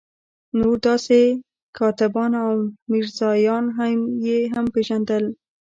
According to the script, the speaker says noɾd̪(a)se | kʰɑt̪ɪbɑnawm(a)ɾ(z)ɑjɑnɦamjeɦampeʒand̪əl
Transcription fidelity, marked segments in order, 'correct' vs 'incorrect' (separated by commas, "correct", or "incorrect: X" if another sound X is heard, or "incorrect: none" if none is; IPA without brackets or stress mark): incorrect: ɑ, incorrect: i, correct